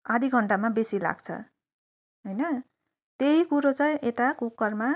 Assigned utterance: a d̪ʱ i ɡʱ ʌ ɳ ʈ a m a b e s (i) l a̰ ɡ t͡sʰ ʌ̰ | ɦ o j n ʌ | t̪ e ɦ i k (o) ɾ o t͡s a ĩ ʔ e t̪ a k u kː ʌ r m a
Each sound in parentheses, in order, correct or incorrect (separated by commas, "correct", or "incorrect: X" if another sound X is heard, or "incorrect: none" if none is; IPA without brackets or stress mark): correct, incorrect: u